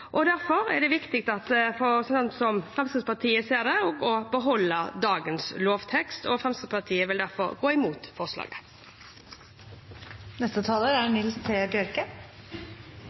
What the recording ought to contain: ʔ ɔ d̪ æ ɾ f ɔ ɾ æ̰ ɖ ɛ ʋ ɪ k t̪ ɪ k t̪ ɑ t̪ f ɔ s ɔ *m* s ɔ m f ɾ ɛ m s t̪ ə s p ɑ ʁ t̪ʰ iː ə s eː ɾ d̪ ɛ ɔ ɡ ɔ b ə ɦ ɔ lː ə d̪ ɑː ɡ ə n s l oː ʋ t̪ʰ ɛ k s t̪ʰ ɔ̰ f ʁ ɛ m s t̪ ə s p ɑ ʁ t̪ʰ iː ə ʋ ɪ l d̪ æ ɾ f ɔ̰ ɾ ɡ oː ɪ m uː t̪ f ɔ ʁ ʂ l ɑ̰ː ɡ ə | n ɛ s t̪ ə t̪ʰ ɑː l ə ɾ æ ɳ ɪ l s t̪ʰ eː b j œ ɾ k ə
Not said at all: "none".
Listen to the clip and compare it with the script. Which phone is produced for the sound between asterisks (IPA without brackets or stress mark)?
n